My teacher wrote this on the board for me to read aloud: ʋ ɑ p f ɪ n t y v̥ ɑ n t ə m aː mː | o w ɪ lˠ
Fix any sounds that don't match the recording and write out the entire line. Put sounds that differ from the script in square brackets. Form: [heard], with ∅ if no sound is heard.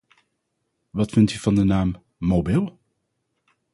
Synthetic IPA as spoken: ʋ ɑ [t] f ɪ n t y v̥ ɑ n [d] ə [n] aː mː | o [b] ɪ lˠ